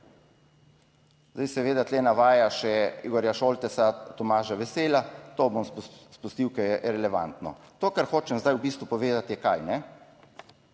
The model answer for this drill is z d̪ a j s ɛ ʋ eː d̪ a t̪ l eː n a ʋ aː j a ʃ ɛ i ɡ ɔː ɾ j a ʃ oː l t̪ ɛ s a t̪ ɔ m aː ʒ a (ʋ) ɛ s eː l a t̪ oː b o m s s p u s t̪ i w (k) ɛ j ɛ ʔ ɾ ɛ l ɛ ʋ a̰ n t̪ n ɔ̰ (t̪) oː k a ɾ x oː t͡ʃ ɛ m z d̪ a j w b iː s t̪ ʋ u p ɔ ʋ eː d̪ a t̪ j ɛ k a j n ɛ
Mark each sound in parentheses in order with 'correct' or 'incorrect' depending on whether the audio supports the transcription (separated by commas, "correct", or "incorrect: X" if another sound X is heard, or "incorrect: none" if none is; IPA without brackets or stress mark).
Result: correct, correct, correct